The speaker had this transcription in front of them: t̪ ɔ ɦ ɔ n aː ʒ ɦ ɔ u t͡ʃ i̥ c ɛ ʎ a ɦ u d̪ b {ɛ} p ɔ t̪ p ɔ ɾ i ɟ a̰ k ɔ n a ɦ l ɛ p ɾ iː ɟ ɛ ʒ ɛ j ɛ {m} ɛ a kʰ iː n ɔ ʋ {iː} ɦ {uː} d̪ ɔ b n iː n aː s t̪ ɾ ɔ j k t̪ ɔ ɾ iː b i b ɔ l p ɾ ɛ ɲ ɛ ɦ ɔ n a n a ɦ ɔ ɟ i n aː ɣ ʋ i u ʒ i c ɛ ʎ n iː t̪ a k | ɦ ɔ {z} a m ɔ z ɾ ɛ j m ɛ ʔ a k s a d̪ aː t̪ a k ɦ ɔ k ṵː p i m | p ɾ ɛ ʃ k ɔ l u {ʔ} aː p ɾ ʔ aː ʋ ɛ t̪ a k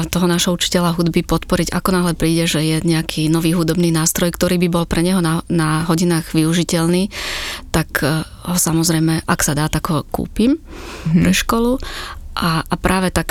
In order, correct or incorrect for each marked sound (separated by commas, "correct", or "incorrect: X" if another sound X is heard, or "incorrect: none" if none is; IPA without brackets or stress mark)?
incorrect: i, incorrect: ɲ, correct, incorrect: u, incorrect: s, correct